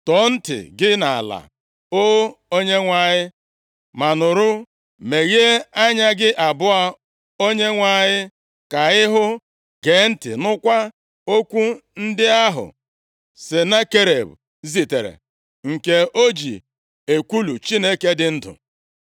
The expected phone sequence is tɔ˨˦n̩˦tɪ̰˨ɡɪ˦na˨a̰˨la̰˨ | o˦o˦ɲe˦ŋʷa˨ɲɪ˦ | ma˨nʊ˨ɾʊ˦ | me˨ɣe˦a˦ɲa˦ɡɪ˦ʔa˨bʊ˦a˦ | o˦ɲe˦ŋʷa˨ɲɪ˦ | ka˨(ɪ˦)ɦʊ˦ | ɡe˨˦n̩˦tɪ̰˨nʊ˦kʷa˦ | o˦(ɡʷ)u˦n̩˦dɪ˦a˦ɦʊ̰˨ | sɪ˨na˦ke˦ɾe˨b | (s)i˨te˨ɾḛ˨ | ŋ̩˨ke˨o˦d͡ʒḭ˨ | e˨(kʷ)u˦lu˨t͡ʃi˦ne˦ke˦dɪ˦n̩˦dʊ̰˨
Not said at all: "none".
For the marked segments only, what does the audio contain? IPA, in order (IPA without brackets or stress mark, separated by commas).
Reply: ɪ˦, kʷ, z, kʷ